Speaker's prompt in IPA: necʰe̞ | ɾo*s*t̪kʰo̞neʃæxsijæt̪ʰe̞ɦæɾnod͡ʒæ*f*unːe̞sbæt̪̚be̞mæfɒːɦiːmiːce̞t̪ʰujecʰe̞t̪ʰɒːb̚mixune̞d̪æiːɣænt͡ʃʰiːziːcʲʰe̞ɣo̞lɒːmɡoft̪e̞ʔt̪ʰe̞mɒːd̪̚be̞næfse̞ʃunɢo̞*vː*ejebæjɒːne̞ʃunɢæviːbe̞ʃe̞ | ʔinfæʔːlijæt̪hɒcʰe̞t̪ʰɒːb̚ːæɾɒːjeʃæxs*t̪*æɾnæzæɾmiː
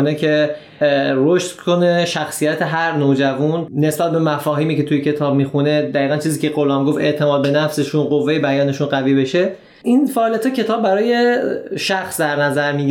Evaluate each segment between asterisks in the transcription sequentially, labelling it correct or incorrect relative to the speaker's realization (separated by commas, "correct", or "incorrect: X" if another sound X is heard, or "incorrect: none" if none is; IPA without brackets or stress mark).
incorrect: ʃ, incorrect: v, correct, incorrect: d̪